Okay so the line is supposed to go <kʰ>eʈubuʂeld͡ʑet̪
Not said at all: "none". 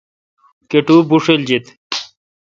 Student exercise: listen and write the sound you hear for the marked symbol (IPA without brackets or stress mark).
k